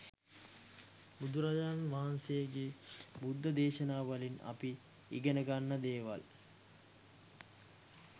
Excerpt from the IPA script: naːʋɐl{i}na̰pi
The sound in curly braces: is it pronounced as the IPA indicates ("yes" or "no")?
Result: yes